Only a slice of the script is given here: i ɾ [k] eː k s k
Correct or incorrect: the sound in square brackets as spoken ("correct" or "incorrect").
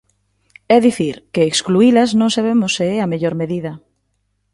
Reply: correct